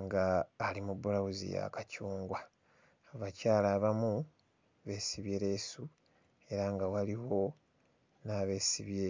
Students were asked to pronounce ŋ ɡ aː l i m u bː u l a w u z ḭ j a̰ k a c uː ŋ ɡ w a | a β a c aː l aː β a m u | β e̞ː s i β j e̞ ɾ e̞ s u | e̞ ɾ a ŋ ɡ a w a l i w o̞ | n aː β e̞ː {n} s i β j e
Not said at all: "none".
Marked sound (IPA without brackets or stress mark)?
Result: none